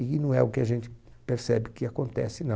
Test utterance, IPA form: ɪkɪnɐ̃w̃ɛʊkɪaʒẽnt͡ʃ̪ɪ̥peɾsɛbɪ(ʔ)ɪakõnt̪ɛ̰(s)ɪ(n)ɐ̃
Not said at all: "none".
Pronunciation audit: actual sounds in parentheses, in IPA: k, s, n

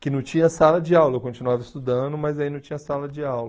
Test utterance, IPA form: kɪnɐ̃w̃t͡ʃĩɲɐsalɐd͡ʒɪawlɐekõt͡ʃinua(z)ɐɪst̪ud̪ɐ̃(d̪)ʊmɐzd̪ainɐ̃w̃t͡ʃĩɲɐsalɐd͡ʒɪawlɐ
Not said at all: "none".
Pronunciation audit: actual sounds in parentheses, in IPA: v, d̪

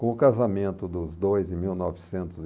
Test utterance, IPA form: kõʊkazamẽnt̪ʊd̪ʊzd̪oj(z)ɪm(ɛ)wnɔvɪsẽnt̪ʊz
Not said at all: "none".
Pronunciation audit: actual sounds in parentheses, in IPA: z, i

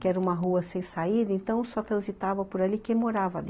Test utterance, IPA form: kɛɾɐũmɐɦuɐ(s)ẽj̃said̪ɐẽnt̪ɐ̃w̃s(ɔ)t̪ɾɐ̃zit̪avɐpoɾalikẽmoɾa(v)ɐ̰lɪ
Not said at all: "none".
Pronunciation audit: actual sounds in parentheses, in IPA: s, ɔ, v

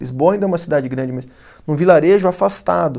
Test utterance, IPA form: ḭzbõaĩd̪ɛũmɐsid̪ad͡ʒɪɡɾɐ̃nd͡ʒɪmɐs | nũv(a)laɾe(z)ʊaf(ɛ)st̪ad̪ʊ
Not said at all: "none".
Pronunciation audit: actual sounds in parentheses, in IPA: i, ʒ, a

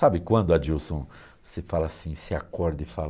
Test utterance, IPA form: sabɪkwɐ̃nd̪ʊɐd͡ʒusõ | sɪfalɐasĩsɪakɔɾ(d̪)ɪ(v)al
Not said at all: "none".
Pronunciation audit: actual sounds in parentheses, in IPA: d̪, f

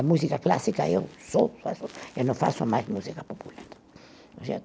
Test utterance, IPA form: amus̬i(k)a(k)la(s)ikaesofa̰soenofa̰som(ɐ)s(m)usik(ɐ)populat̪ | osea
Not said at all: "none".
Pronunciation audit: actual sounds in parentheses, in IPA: k, k, s, a, m, a

